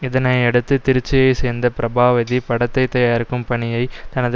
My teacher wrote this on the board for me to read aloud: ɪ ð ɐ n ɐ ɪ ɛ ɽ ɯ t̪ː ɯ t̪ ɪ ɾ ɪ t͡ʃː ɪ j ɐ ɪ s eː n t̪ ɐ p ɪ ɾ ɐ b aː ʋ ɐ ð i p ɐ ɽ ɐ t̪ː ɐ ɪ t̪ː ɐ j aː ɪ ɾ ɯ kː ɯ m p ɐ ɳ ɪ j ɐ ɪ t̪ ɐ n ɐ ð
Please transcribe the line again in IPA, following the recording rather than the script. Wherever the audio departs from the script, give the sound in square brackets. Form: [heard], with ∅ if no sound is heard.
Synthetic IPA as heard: ɪ ð ɐ n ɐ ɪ ɛ ɽ ɯ t̪ː ɯ t̪ ɪ ɾ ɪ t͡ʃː ɪ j ɐ ɪ s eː n [d̪] ɐ p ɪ ɾ ɐ b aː ʋ ɐ ð i p ɐ ɽ ɐ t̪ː ɐ ɪ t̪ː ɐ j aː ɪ ɾ ɯ kː ɯ m p ɐ ɳ ɪ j ɐ ɪ t̪ ɐ n ɐ ð